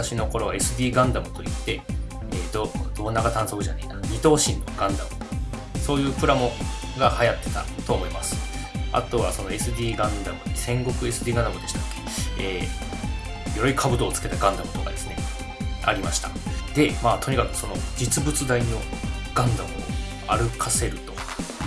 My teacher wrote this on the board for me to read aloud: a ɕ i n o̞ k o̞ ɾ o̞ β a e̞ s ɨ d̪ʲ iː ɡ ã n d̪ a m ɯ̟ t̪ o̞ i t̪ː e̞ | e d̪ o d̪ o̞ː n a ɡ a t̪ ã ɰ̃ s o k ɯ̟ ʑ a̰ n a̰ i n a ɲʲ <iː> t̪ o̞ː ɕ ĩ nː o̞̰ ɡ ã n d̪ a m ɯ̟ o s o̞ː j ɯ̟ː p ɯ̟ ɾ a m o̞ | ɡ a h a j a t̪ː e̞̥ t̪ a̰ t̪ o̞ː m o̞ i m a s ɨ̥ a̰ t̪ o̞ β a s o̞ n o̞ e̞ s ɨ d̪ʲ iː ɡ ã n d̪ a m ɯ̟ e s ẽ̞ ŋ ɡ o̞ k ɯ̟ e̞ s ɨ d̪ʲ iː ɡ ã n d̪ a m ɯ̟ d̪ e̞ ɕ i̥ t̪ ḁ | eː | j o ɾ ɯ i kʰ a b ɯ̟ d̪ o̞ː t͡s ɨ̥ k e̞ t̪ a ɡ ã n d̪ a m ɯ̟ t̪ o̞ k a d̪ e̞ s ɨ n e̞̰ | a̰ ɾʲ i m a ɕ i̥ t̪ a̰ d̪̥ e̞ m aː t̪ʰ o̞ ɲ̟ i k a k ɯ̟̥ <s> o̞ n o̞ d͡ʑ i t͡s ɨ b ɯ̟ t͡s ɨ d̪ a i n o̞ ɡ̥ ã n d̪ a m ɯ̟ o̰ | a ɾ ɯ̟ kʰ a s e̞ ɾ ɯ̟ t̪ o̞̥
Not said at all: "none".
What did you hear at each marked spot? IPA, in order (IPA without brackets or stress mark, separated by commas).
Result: i, s